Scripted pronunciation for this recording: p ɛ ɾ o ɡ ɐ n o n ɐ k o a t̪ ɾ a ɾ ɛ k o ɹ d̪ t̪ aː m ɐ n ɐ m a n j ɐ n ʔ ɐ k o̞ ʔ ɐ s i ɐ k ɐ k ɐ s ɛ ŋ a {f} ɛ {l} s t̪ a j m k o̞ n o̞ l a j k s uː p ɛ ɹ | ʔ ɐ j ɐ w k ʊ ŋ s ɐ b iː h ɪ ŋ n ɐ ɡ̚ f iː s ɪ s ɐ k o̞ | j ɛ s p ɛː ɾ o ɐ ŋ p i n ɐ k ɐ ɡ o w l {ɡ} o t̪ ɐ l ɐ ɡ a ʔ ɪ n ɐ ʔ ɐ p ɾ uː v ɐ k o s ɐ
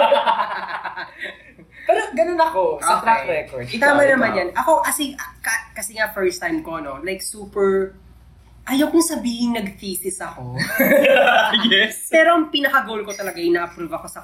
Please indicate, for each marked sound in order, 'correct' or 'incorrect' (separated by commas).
correct, incorrect, incorrect